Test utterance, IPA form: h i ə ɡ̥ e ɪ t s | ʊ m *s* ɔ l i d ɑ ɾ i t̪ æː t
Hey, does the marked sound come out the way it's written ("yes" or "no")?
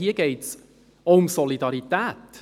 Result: yes